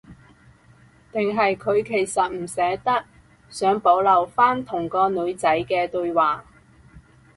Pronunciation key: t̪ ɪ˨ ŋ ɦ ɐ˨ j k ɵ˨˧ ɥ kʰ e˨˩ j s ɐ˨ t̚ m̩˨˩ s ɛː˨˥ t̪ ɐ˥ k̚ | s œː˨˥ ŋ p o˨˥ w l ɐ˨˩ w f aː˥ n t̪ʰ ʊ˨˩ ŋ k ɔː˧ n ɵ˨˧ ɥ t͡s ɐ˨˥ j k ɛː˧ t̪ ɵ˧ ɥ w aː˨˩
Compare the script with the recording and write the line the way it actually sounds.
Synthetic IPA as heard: t̪ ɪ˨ ŋ ɦ ɐ˨ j kʰ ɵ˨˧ ɥ kʰ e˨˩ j s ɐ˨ t̚ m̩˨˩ s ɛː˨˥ t̪ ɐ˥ k̚ | s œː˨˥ ŋ p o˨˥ w l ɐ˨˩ w f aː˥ n t̪ʰ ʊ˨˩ ŋ k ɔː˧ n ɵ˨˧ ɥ t͡s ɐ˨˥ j k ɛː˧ t̪ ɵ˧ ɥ w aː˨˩